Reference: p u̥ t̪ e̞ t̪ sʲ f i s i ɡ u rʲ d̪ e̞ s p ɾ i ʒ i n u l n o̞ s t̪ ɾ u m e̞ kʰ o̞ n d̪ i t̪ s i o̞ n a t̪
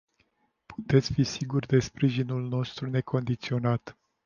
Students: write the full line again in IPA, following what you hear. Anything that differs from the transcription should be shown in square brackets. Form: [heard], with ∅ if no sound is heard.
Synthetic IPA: p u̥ t̪ e̞ t̪ sʲ f i s i ɡ u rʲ d̪ e̞ s p ɾ i ʒ i n u l n o̞ s t̪ ɾ u [n] e̞ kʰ o̞ n d̪ i t̪ s i o̞ n a t̪